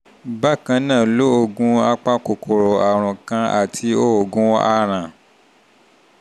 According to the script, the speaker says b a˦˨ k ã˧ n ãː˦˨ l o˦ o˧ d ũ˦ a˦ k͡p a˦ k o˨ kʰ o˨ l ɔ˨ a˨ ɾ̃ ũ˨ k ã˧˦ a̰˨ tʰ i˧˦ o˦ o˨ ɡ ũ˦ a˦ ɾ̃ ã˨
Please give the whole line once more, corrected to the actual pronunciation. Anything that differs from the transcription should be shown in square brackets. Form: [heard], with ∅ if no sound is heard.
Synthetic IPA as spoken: b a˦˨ k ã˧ n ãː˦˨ l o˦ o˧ [ɡ] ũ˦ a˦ k͡p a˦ k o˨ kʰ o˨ [ɾ] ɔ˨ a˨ ɾ̃ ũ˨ k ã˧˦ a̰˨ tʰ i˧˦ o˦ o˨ ɡ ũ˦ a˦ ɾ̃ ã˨

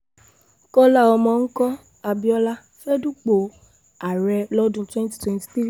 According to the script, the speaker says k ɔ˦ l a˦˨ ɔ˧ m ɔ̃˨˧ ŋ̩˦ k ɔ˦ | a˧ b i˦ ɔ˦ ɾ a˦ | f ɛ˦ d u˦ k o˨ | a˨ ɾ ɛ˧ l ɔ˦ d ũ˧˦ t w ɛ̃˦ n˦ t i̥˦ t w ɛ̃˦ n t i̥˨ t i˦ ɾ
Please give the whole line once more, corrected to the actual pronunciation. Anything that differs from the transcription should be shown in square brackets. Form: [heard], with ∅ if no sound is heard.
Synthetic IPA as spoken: k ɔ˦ l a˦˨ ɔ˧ m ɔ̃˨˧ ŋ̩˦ k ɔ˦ | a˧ b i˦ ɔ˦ [l] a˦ | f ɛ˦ d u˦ [k͡p] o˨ | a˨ ɾ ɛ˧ l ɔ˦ d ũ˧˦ t w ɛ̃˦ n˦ t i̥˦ t w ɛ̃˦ n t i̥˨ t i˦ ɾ

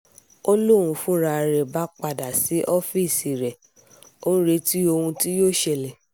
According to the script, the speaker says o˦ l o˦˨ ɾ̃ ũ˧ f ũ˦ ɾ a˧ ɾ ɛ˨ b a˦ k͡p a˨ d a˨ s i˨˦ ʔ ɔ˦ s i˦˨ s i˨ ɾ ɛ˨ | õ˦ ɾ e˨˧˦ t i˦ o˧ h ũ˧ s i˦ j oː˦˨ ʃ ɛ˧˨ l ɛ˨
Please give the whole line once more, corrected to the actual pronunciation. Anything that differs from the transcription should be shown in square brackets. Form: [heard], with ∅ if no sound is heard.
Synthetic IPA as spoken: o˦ l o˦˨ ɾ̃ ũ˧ f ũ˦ ɾ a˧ ɾ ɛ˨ b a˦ k͡p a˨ d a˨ s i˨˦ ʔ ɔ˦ [f] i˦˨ s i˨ ɾ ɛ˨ | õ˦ ɾ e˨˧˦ t i˦ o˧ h ũ˧ [t] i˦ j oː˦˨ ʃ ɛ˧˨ l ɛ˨

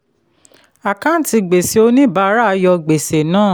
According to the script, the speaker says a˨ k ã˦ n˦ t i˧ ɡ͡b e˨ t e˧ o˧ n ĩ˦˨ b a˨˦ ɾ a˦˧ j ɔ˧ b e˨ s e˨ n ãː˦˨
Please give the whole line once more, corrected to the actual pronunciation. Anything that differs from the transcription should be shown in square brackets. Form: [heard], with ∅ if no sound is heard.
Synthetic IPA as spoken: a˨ k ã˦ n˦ t i˧ ɡ͡b e˨ [s] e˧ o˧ n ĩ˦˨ b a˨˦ ɾ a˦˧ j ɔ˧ [ɡ͡b] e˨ s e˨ n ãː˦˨

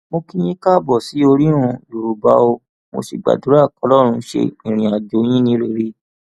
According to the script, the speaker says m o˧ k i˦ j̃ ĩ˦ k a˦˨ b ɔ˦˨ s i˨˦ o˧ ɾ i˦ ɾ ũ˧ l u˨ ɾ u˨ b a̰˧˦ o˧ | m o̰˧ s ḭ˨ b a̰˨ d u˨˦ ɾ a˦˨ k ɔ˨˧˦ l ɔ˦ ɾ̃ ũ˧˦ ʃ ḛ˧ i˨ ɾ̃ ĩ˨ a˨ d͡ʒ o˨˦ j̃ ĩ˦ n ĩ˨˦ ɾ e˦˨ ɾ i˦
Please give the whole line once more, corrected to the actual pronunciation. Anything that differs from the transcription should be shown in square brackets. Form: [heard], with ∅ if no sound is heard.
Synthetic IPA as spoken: m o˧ k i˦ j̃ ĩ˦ k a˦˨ b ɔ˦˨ s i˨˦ o˧ ɾ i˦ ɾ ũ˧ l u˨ ɾ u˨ b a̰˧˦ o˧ | m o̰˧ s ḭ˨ [ɡ͡b] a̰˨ d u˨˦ ɾ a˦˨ k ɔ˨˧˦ l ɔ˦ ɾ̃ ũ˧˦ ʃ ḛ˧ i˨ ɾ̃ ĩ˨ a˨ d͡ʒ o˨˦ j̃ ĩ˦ n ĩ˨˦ ɾ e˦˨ ɾ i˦

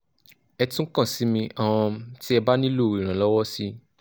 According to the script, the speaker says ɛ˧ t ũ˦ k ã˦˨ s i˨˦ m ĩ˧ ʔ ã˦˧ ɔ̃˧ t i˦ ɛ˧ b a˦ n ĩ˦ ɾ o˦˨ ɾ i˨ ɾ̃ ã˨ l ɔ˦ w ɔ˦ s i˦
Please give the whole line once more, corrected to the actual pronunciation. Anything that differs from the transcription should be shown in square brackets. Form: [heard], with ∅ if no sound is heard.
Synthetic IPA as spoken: ɛ˧ t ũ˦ k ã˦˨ s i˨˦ m ĩ˧ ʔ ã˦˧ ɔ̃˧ t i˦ ɛ˧ b a˦ n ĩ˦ [l] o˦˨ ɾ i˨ ɾ̃ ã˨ l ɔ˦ w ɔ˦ s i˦

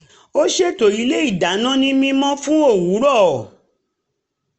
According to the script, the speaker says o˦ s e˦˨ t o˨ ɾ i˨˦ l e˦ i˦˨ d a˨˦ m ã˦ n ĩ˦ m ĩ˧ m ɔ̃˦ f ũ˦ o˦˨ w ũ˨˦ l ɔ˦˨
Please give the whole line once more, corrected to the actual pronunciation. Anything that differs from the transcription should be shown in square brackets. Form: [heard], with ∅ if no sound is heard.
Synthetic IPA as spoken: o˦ [ʃ] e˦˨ t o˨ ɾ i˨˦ l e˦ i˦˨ d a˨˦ [n] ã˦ n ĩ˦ m ĩ˧ m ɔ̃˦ f ũ˦ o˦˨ w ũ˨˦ [ɾ] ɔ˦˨

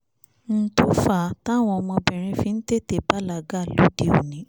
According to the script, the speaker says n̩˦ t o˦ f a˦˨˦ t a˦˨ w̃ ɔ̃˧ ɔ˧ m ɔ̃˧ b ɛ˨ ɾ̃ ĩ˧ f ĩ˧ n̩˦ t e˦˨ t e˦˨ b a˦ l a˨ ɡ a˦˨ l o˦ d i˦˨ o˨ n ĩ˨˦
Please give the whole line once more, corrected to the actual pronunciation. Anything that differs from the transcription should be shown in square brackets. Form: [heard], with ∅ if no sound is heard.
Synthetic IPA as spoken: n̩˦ t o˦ f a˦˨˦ t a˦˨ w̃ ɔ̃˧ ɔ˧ m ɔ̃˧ b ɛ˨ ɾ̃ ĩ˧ f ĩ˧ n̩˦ t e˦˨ t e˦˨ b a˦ l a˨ ɡ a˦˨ l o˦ d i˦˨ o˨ n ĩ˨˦

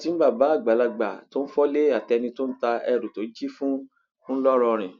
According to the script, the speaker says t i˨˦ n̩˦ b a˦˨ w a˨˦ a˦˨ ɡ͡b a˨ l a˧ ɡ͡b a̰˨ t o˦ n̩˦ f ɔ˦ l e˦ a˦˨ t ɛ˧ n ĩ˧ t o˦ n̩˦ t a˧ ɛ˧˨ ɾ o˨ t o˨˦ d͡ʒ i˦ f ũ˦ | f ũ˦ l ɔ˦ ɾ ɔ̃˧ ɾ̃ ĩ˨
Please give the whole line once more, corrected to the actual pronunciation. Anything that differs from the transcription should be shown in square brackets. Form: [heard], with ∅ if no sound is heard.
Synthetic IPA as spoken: t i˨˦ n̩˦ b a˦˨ [b] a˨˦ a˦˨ ɡ͡b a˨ l a˧ ɡ͡b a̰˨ t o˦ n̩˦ f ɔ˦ l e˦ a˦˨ t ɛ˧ n ĩ˧ t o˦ n̩˦ t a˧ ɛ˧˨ ɾ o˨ t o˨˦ d͡ʒ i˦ f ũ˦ | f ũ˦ l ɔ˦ ɾ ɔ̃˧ ɾ̃ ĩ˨

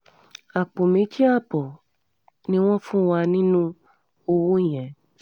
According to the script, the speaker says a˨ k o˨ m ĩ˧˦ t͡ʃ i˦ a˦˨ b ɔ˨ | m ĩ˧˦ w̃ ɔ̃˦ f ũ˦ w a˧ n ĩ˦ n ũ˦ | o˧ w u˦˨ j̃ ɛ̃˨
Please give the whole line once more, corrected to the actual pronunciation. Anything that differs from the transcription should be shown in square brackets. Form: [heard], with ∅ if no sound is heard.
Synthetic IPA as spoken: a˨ [k͡p] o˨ m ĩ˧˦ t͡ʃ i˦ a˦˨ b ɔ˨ | [n] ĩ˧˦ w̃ ɔ̃˦ f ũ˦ w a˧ n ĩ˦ n ũ˦ | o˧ w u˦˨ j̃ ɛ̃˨

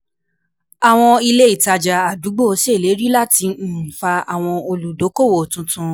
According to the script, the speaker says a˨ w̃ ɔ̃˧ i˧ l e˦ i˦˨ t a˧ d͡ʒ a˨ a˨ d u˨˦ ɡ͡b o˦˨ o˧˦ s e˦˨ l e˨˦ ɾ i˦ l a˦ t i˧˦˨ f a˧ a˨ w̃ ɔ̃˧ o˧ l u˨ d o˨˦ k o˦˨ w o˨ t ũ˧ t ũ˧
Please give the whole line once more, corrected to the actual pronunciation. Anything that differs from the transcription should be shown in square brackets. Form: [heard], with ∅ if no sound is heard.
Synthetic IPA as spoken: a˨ w̃ ɔ̃˧ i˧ l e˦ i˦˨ t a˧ d͡ʒ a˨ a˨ d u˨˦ ɡ͡b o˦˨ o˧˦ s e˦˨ l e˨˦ ɾ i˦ l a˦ t i˧˦˨ f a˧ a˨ w̃ ɔ̃˧ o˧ l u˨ d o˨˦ k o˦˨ w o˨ t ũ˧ t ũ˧

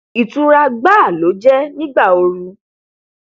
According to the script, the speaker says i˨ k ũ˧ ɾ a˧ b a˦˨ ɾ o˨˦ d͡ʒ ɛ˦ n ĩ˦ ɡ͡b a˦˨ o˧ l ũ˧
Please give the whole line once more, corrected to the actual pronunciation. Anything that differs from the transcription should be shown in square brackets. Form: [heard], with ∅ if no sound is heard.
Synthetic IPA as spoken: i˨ [t] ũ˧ ɾ a˧ [ɡ͡b] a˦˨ [l] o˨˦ d͡ʒ ɛ˦ n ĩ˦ ɡ͡b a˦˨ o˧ [ɾ] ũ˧

